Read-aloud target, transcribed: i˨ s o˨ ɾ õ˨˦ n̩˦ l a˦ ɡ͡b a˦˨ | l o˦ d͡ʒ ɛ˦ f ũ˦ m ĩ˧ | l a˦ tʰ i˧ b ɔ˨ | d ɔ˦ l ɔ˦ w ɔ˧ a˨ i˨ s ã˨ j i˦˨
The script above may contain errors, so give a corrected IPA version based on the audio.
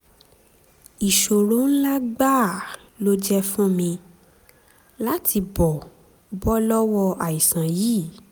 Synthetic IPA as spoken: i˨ ʃ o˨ ɾ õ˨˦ n̩˦ l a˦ ɡ͡b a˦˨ | l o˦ d͡ʒ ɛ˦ f ũ˦ m ĩ˧ | l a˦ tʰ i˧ b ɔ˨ | b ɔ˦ l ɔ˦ w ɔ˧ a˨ i˨ s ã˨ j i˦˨